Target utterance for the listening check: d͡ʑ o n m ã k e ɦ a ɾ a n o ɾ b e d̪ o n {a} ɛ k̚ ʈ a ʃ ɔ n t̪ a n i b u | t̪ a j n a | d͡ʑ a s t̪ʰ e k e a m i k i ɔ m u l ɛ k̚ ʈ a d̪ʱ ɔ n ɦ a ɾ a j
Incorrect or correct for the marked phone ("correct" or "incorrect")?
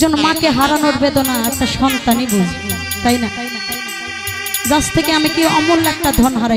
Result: correct